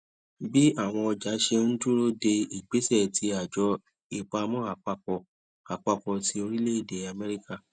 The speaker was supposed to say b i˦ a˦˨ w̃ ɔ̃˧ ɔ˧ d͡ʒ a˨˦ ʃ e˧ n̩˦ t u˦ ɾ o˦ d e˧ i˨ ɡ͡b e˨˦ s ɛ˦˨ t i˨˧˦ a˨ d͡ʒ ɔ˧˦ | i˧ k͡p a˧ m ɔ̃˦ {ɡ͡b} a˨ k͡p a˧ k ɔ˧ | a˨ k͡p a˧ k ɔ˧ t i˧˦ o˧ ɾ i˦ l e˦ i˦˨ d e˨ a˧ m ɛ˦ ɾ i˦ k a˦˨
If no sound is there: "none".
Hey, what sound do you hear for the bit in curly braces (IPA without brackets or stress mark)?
none